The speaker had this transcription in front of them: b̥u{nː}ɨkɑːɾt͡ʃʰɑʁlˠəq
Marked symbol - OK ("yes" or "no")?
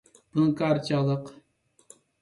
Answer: no